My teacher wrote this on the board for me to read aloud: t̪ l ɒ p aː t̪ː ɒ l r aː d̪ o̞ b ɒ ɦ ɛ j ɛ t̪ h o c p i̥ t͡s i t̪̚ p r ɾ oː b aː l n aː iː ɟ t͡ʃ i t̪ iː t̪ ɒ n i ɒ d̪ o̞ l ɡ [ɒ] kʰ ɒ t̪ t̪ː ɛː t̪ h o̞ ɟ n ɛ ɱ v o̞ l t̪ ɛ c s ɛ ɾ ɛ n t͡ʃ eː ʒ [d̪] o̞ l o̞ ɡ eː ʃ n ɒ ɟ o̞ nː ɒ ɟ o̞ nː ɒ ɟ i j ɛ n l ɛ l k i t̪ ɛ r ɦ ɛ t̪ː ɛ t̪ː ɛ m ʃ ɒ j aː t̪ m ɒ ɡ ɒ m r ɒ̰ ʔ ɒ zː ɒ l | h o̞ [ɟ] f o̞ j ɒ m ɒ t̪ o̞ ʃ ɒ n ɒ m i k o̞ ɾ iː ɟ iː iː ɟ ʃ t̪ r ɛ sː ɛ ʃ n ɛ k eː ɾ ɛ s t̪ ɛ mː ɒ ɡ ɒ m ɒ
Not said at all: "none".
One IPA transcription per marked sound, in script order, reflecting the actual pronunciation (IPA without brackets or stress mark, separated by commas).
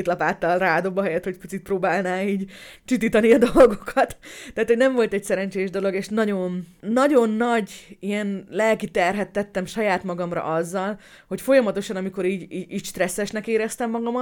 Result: o, d̪, c